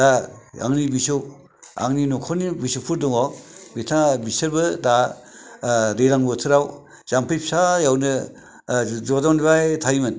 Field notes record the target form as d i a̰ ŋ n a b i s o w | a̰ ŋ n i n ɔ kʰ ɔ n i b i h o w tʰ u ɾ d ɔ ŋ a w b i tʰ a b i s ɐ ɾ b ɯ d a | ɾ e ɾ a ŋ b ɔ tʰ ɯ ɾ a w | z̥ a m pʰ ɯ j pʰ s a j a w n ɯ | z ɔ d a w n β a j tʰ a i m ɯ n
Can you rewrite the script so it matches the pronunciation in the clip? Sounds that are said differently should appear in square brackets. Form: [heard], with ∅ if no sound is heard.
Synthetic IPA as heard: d [a] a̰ ŋ n [i] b i s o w | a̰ ŋ n i n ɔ kʰ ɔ n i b i [s] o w [pʰ] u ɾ d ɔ ŋ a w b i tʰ a b i s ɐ ɾ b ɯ d a | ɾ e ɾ a ŋ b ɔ tʰ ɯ ɾ a w | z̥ a m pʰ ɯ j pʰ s a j a w n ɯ | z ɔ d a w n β a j tʰ a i m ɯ n